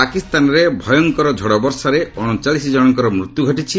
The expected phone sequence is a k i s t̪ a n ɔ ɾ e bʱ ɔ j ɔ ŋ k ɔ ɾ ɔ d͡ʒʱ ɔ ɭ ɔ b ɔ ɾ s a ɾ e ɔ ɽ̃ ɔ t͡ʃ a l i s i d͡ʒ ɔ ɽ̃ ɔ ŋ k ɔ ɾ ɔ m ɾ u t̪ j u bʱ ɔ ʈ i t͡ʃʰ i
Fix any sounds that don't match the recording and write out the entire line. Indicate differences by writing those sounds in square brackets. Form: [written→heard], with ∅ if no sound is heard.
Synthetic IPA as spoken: a k i s t̪ a n ɔ ɾ e bʱ ɔ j ɔ ŋ k ɔ ɾ ɔ d͡ʒʱ ɔ [ɭ→ɽ] ɔ b ɔ ɾ s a ɾ e ɔ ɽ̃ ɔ t͡ʃ a l i s i d͡ʒ ɔ ɽ̃ ɔ ŋ k ɔ ɾ ɔ m ɾ u t̪ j u [bʱ→ɡʱ] ɔ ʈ i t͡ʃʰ i